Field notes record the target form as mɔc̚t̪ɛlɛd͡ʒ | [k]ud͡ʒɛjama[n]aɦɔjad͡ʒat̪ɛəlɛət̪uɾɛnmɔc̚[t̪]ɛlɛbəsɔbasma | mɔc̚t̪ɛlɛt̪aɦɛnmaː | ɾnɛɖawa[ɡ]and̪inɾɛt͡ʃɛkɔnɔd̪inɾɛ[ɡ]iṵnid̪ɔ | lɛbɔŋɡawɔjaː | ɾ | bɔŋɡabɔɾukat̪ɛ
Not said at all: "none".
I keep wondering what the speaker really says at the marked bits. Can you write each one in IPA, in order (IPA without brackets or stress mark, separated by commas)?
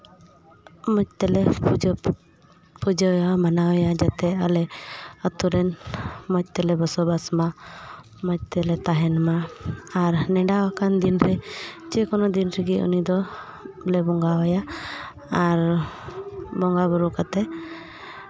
p, n, t̪, k, ɡ